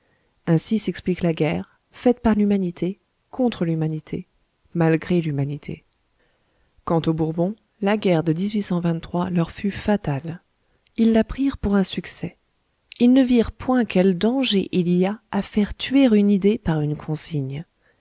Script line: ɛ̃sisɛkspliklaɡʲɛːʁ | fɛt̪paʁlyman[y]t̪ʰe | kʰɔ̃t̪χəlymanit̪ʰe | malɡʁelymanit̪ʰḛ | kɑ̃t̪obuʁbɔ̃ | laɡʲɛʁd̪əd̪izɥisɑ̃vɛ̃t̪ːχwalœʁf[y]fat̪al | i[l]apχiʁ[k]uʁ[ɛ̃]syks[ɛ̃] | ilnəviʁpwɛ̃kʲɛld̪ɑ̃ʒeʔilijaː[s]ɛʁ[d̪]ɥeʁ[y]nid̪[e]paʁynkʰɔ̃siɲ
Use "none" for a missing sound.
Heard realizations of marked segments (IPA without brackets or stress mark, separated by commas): i, y, lː, p, ɛ̃, ɛ, f, t̪, y, e